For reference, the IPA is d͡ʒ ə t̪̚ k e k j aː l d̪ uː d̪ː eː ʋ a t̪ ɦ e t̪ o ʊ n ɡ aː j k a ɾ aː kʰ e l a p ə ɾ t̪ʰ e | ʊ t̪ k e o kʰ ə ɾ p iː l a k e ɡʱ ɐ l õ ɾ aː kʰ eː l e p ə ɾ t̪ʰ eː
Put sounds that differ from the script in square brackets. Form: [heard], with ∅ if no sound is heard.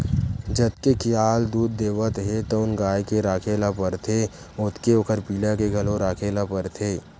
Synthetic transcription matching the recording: d͡ʒ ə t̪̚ k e k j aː l d̪ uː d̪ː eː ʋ [ə] t̪ ɦ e t̪ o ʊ n ɡ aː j k [e] ɾ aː kʰ e l a p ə ɾ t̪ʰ e | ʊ t̪ k e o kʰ ə ɾ p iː l a k e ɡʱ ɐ l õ ɾ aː kʰ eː l [a] p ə ɾ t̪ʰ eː